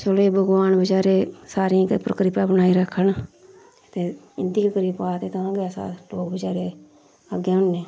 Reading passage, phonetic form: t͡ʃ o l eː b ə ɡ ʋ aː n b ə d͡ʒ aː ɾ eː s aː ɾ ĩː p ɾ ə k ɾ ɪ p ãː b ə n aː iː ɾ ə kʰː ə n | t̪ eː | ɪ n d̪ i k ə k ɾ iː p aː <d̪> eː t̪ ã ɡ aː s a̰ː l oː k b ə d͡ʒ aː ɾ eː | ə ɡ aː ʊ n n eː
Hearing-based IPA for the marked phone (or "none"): t̪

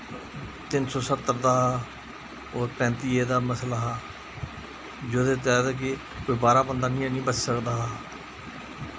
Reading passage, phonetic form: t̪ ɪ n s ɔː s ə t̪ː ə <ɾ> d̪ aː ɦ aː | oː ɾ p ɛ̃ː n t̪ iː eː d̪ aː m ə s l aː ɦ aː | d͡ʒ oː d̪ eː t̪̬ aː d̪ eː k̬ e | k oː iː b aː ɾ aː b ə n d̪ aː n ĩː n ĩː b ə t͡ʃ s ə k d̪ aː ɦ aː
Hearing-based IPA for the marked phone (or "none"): ɾ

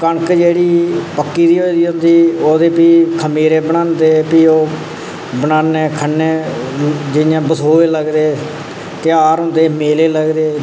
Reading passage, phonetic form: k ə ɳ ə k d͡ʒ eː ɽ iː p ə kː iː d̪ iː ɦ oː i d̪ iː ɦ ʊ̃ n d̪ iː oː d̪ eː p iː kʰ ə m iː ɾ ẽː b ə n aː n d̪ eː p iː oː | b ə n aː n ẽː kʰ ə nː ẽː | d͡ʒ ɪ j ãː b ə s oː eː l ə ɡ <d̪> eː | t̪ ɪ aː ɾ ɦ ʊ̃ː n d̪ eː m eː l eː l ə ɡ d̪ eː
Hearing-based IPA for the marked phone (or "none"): d̪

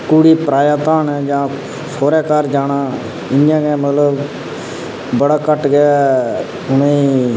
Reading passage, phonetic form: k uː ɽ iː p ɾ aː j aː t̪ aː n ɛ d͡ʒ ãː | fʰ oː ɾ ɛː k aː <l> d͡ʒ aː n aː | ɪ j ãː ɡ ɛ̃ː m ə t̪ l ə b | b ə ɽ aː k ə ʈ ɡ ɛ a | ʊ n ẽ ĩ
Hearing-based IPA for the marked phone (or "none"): ɾ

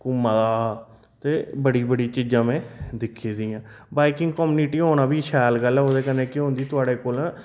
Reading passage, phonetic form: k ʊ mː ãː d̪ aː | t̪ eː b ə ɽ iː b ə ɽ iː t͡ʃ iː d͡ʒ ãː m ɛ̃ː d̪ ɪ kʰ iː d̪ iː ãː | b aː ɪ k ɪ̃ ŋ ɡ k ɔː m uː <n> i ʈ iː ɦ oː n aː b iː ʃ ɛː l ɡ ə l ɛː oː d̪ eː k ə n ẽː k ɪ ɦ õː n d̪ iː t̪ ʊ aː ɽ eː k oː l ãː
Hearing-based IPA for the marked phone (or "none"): n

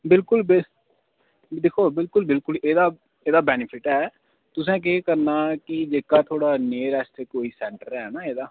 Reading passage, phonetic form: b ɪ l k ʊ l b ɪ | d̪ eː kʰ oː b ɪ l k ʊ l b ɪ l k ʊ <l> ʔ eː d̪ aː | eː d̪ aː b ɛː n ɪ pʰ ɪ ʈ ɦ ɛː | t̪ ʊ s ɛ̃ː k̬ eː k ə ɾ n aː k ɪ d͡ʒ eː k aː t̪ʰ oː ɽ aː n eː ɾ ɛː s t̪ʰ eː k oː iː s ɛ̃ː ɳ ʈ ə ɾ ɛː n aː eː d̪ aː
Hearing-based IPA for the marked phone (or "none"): l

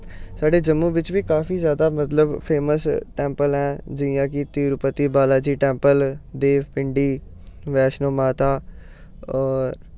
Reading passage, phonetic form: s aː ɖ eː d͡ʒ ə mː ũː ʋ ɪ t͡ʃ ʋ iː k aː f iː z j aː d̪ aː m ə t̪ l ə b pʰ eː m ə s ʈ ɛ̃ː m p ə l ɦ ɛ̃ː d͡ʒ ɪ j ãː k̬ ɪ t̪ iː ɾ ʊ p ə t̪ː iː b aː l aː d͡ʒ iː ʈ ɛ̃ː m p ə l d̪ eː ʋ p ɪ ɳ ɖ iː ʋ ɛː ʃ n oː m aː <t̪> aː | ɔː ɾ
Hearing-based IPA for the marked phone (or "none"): t̪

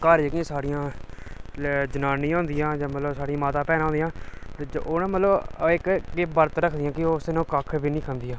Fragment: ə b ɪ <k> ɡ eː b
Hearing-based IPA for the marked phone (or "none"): k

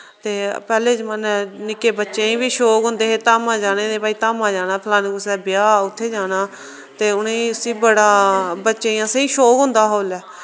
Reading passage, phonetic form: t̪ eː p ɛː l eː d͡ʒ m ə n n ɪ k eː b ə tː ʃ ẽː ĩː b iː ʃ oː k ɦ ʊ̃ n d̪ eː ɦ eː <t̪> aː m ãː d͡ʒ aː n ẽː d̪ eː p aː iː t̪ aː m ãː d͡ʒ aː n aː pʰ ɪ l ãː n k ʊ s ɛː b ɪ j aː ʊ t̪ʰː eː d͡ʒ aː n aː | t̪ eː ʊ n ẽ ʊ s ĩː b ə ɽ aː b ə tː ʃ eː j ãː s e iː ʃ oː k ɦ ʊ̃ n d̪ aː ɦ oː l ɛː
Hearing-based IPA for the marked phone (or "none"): t̪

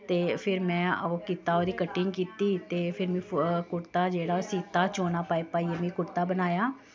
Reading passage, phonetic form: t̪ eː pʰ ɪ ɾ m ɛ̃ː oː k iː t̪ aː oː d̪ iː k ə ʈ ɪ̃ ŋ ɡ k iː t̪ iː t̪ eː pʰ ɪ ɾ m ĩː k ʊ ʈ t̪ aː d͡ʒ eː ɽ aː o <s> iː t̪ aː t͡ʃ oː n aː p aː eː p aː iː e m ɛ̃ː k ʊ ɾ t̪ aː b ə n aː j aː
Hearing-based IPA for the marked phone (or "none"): s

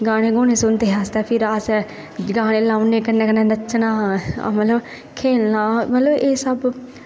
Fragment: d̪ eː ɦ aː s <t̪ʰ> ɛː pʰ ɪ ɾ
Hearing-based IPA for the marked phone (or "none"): t̪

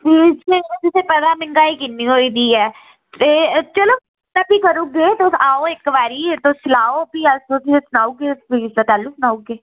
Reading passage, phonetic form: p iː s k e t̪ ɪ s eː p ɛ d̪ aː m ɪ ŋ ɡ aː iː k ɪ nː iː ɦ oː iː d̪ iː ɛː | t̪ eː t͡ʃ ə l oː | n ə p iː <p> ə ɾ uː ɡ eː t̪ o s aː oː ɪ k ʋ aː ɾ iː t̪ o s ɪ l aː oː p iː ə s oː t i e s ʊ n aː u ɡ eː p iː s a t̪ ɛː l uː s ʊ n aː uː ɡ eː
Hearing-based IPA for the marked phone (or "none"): k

